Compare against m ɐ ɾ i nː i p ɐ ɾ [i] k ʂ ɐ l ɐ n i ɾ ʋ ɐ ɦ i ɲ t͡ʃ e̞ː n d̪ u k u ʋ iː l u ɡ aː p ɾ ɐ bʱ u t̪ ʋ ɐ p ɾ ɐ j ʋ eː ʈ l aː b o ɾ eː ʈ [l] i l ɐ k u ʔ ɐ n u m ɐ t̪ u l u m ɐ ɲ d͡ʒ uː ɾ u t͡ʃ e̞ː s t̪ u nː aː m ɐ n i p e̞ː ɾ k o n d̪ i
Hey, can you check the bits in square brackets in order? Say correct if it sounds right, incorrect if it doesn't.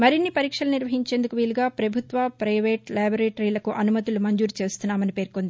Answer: incorrect, incorrect

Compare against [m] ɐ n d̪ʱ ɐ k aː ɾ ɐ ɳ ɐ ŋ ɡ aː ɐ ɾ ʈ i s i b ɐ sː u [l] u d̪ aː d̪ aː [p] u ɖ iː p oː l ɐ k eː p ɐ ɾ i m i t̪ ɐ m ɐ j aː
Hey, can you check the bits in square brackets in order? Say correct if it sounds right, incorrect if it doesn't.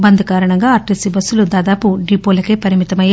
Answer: incorrect, correct, correct

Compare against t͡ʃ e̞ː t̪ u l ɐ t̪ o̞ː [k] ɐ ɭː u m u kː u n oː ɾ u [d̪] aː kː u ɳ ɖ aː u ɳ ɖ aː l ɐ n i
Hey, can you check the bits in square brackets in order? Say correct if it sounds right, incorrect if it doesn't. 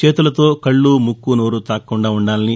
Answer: correct, incorrect

